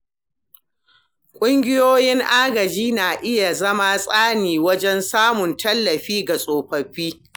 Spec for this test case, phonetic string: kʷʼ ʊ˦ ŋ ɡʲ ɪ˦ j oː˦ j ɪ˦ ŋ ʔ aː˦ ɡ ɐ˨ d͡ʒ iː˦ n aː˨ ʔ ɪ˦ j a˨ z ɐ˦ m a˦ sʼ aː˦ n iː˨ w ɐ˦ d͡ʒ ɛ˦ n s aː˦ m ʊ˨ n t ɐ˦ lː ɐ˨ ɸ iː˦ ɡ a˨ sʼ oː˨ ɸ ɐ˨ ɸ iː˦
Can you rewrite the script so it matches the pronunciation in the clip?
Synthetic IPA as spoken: kʷʼ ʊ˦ ŋ ɡʲ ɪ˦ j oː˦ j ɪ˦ ŋ ʔ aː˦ ɡ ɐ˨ d͡ʒ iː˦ n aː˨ ʔ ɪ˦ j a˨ z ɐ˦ m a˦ sʼ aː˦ n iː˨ w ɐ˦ d͡ʒ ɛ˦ n s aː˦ m ʊ˨ n t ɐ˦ lː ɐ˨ ɸ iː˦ ɡ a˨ sʼ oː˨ ɸ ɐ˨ ɸ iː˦